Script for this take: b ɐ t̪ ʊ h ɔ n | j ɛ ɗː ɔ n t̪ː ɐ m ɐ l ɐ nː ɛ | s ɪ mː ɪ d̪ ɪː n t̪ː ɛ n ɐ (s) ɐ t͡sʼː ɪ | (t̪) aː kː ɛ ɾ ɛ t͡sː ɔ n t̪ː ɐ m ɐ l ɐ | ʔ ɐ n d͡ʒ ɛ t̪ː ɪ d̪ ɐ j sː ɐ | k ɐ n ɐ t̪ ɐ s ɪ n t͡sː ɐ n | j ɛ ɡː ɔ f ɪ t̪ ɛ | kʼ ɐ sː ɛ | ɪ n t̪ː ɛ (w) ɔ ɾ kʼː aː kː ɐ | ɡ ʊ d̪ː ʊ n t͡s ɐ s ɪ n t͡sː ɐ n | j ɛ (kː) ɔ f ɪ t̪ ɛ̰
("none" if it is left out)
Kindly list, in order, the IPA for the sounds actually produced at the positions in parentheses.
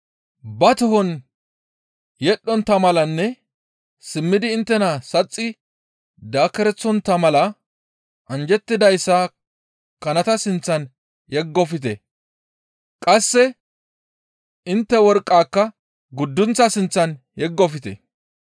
s, d̪, w, ɡː

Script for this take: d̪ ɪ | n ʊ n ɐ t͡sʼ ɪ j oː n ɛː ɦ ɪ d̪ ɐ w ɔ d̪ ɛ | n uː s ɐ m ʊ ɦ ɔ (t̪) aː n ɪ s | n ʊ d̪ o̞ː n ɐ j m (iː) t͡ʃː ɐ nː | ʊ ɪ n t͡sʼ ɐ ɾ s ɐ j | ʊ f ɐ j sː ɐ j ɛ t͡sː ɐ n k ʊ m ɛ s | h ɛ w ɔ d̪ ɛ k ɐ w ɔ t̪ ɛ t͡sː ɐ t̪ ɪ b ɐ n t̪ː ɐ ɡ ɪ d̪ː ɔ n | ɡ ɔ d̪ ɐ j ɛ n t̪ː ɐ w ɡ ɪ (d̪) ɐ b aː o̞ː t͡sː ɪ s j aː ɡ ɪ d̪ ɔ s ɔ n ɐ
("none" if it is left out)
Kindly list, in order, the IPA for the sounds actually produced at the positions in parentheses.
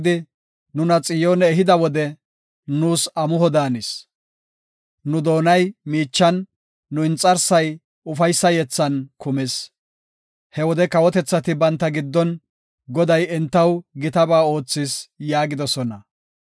d̪, iː, t̪

